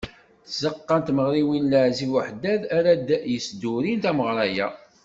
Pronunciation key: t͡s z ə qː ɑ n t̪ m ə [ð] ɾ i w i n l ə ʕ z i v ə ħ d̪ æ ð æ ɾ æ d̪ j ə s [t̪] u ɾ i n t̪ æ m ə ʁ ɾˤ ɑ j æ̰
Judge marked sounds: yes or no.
no, no

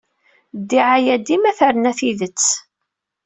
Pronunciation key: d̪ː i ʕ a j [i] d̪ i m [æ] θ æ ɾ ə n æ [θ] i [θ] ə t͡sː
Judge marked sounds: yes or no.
no, yes, yes, no

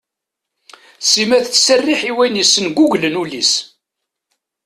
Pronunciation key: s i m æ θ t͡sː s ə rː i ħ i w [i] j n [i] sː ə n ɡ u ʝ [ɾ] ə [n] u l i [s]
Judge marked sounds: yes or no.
no, yes, no, yes, yes

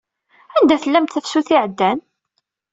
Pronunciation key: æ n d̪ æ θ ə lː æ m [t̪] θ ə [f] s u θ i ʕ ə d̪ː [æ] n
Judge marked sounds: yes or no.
yes, yes, yes

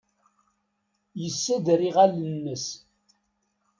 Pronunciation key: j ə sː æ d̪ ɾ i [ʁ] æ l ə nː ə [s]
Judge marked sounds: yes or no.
yes, yes

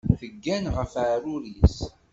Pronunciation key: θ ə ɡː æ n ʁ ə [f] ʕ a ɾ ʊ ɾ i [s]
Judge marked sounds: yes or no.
yes, yes

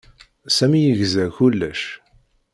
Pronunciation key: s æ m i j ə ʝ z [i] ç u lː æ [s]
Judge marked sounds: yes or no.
no, no

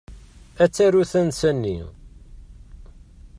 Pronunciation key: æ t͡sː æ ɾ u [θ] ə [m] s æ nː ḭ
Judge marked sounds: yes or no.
yes, no

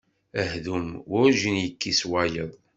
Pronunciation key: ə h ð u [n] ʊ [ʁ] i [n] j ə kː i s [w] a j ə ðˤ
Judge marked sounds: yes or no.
no, no, yes, yes

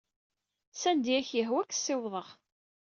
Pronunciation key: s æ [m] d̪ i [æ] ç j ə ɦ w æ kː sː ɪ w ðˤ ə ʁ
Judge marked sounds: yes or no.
no, yes

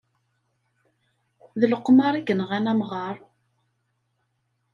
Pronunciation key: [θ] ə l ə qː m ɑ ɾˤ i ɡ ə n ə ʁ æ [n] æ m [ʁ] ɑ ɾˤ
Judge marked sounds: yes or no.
no, yes, yes

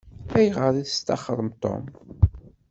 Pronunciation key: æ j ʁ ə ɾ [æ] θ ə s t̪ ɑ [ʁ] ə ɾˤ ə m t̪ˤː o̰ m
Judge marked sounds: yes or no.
no, no

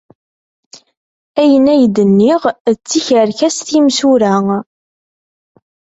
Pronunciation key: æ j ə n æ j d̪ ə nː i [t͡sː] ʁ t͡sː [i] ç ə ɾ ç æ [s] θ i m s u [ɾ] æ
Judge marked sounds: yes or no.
no, yes, yes, yes

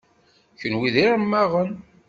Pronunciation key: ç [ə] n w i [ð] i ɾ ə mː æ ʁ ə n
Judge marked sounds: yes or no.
yes, yes

